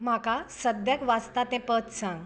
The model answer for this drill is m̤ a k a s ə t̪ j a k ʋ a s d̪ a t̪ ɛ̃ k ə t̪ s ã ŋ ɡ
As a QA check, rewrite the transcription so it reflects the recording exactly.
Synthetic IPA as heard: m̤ a k a s ə d̪ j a k ʋ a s t̪ a t̪ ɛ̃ p ə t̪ s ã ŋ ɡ